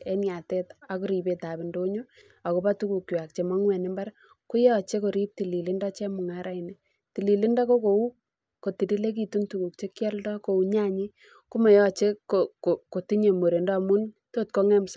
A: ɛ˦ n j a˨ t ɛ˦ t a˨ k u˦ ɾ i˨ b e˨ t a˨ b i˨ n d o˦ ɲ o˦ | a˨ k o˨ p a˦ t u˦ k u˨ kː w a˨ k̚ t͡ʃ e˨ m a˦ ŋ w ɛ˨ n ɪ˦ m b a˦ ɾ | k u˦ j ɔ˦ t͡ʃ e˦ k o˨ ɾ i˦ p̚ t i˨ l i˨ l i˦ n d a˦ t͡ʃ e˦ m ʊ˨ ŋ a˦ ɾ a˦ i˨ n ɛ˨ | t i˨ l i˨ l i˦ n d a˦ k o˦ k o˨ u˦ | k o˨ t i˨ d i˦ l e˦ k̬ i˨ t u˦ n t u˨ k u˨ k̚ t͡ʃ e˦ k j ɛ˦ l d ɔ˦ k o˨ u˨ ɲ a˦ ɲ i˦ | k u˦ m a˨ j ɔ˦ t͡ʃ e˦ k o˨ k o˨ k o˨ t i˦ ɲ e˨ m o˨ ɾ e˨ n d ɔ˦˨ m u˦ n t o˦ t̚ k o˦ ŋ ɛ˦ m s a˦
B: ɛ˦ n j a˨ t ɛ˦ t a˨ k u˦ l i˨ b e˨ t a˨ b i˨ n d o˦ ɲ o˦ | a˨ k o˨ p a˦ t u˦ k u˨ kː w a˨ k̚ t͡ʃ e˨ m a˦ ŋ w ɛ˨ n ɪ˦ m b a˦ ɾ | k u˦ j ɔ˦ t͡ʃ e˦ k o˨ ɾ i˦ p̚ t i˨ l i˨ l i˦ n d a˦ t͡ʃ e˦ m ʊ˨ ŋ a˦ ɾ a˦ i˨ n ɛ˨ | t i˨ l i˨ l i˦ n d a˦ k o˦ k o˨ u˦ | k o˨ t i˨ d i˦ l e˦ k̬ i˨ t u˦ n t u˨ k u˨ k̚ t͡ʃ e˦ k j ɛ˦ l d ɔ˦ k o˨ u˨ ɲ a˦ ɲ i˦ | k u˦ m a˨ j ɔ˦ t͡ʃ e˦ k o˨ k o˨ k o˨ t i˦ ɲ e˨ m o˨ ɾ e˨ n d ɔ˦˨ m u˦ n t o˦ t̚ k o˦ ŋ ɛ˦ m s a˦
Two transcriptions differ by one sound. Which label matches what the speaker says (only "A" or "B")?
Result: A